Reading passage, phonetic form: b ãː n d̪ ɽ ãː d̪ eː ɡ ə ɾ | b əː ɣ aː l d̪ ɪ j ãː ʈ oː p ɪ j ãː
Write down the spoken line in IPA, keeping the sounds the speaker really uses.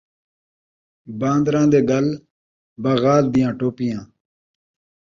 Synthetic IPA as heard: b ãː n d̪ ɾ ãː d̪ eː ɡ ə l | b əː ɣ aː l d̪ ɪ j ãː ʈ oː p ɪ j ãː